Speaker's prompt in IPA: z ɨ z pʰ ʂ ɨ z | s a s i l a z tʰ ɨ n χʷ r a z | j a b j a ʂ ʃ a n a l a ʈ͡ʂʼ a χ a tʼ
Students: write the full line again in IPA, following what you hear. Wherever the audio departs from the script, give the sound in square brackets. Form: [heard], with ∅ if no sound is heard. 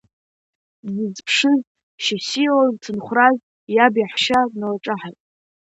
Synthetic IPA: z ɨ z pʰ ʂ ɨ z | [ʃ] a s i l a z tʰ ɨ n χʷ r a z | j a b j a [ħ] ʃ a n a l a ʈ͡ʂʼ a [ħ] a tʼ